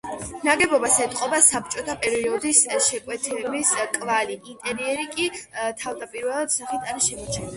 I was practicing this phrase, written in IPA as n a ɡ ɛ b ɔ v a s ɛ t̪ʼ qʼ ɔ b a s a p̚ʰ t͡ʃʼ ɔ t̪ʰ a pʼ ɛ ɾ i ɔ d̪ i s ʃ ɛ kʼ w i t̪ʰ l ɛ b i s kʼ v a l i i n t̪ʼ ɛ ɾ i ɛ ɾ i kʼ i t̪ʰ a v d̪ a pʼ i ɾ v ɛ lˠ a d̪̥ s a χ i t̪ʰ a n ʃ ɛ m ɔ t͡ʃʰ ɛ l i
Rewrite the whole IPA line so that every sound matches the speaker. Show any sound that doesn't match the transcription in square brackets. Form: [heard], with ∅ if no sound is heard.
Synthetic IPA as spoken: n a ɡ ɛ b ɔ [b] a s ɛ t̪ʼ qʼ ɔ b a s a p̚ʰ t͡ʃʼ ɔ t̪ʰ a pʼ ɛ ɾ i ɔ d̪ i s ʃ ɛ kʼ w [ɛ] t̪ʰ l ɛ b i s kʼ v a l i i n t̪ʼ ɛ ɾ i ɛ ɾ i kʼ i t̪ʰ a v d̪ a pʼ i ɾ v ɛ lˠ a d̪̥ s a χ i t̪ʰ a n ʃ ɛ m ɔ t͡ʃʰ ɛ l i

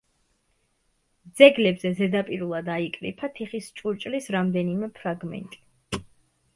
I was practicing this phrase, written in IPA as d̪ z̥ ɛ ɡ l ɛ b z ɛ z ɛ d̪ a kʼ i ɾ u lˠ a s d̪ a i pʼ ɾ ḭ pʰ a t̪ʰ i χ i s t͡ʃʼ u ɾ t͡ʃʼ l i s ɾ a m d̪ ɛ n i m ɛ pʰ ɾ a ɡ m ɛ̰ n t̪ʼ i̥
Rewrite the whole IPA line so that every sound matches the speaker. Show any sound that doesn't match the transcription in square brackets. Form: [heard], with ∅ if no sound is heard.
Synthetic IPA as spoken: d̪ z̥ ɛ ɡ l ɛ b z ɛ z ɛ d̪ a [pʼ] i ɾ u lˠ a [∅] d̪ a i [kʼ] ɾ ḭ pʰ a t̪ʰ i χ i s t͡ʃʼ u ɾ t͡ʃʼ l i s ɾ a m d̪ ɛ n i m ɛ pʰ ɾ a ɡ m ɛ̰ n t̪ʼ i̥

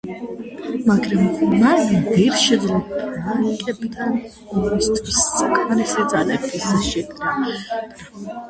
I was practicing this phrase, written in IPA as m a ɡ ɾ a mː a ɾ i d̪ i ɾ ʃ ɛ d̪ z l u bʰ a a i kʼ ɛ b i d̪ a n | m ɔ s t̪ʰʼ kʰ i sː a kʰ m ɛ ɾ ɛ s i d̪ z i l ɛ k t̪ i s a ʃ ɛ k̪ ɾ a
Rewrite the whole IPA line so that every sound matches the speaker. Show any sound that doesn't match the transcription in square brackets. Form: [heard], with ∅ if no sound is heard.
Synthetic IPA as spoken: m a ɡ ɾ a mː a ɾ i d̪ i ɾ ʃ ɛ d̪ z l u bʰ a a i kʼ ɛ b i d̪ a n | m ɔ s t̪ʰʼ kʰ i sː a kʰ m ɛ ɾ [i] s i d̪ z [a] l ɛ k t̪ i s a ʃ ɛ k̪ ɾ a

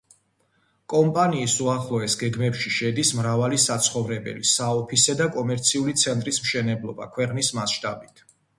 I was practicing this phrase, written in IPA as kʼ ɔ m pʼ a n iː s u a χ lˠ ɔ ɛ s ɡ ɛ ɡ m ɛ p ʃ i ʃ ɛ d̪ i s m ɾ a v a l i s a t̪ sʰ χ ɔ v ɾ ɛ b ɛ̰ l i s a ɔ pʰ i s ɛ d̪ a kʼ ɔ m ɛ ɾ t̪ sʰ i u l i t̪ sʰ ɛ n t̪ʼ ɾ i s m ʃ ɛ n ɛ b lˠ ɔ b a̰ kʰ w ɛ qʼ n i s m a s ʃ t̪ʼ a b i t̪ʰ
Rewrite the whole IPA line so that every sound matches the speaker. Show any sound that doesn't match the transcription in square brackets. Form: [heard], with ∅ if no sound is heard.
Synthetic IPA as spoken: kʼ ɔ m pʼ a n iː s u a χ lˠ ɔ ɛ s ɡ ɛ ɡ m ɛ p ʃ i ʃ ɛ d̪ i s m ɾ a v a l i s a t̪ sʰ χ ɔ v ɾ ɛ b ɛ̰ l i s a ɔ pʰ i s ɛ d̪ a kʼ ɔ m ɛ ɾ t̪ sʰ i u l i t̪ sʰ ɛ n t̪ʼ ɾ i s m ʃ ɛ n ɛ b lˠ ɔ b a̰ kʰ w ɛ qʼ n i s m a s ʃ t̪ʼ a b i t̪ʰ

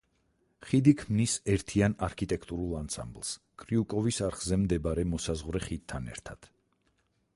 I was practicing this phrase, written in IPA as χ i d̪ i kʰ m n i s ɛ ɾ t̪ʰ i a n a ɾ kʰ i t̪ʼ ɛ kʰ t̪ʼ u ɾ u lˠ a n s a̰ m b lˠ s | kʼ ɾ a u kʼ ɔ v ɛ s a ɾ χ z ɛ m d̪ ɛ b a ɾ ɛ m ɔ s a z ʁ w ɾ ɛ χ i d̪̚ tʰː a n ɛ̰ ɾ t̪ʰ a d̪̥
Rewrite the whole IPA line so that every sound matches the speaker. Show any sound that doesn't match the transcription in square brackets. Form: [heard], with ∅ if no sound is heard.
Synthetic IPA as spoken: χ i d̪ i kʰ m n i s ɛ ɾ t̪ʰ i a n a ɾ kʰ i t̪ʼ ɛ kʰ t̪ʼ u ɾ u lˠ a n s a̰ m b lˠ s | kʼ ɾ [i] u kʼ ɔ v [i] s a ɾ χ z ɛ m d̪ ɛ b a ɾ ɛ m ɔ s a z ʁ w ɾ ɛ χ i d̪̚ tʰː a n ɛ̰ ɾ t̪ʰ a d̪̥

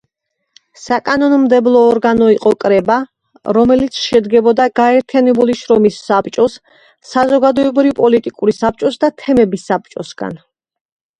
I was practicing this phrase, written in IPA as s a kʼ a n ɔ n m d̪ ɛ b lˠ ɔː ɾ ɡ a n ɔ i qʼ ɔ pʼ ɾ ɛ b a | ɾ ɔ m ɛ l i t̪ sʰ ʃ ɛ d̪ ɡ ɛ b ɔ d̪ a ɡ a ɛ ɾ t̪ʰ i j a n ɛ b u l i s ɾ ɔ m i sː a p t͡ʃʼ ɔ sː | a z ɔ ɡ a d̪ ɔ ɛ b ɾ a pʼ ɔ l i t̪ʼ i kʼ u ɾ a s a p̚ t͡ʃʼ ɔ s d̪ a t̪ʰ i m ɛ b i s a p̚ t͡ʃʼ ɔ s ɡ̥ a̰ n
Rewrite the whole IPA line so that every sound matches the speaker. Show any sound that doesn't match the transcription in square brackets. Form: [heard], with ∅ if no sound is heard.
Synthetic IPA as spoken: s a kʼ a n ɔ n m d̪ ɛ b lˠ ɔː ɾ ɡ a n ɔ i qʼ ɔ [kʼ] ɾ ɛ b a | ɾ ɔ m ɛ l i t̪ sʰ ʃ ɛ d̪ ɡ ɛ b ɔ d̪ a ɡ a ɛ ɾ t̪ʰ i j a n ɛ b u l i [ʃ] ɾ ɔ m i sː a p t͡ʃʼ ɔ sː | a z ɔ ɡ a d̪ ɔ ɛ b ɾ [i] pʼ ɔ l i t̪ʼ i kʼ u ɾ [i] s a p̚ t͡ʃʼ ɔ s d̪ a t̪ʰ [ɛ] m ɛ b i s a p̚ t͡ʃʼ ɔ s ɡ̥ a̰ n

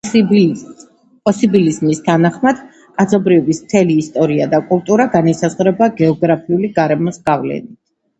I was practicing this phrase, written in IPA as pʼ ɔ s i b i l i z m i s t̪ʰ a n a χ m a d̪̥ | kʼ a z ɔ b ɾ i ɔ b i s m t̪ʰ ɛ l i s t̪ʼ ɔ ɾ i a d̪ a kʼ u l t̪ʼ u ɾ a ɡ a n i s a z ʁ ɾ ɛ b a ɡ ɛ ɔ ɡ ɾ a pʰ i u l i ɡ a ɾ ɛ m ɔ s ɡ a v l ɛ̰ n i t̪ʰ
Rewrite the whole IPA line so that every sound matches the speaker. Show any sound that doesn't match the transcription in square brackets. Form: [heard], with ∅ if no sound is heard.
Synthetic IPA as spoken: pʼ ɔ s i b i l i z m i s t̪ʰ a n a χ m a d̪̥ | kʼ a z ɔ b ɾ i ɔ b i s m t̪ʰ ɛ l [iː] s t̪ʼ ɔ ɾ i a d̪ a kʼ u l t̪ʼ u ɾ a ɡ a n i s a z ʁ ɾ ɛ b a ɡ ɛ ɔ ɡ ɾ a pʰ i u l i ɡ a ɾ ɛ m ɔ s ɡ a v l ɛ̰ n i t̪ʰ

